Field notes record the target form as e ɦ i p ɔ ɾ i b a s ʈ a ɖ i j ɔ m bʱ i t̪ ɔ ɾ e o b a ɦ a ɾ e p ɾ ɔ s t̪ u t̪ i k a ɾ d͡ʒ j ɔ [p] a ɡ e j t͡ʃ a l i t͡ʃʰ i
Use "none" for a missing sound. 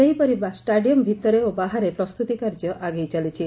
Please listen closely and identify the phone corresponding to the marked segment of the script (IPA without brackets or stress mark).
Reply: ʔ